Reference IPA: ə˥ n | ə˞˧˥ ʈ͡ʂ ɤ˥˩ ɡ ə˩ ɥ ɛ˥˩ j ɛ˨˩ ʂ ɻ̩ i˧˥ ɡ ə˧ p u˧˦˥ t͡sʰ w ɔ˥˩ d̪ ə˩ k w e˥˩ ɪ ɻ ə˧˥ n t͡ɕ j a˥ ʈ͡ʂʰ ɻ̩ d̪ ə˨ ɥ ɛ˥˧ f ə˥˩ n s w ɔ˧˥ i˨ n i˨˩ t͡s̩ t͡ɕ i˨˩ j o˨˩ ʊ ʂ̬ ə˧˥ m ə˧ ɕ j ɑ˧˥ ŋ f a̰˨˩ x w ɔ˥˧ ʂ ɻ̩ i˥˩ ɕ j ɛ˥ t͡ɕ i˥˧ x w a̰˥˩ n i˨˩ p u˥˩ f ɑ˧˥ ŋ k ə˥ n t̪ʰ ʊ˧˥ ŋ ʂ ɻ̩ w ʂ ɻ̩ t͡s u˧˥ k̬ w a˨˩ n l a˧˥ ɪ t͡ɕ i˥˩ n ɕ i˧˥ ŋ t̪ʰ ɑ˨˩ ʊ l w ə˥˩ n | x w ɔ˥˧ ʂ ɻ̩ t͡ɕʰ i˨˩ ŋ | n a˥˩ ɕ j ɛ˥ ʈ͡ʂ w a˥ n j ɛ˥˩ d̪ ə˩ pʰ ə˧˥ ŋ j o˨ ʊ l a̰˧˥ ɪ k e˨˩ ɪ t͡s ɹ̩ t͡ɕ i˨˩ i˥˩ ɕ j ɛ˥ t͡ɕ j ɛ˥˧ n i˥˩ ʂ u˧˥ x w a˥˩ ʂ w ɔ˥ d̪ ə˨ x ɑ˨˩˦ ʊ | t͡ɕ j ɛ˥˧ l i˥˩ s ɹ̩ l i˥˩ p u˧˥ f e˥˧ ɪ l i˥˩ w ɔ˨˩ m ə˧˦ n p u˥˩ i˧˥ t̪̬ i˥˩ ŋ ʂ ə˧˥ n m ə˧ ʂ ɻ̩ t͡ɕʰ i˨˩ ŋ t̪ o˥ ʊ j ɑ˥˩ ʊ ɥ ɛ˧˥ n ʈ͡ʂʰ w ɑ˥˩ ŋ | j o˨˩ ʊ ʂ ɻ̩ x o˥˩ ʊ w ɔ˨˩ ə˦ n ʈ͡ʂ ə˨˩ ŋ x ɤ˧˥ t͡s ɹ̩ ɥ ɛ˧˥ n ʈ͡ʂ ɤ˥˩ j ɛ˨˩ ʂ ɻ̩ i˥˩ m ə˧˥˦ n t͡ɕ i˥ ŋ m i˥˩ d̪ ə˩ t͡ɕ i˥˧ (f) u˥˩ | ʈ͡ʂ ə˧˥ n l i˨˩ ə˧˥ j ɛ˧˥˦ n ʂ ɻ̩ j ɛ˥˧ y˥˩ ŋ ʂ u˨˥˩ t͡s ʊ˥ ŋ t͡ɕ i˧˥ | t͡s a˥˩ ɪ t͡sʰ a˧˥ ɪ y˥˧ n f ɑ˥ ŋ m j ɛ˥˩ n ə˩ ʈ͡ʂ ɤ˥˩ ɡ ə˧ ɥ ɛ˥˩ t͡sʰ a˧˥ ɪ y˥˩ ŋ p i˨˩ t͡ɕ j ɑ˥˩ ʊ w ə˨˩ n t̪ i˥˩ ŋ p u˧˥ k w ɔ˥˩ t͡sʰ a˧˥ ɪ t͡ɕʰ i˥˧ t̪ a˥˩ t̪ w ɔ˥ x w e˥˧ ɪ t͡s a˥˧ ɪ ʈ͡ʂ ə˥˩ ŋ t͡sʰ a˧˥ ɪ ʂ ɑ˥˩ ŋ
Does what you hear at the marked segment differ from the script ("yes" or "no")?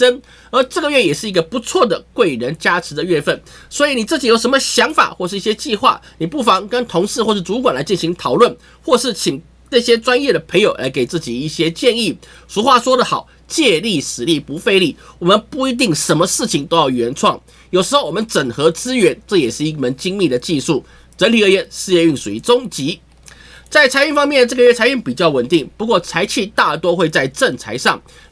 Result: yes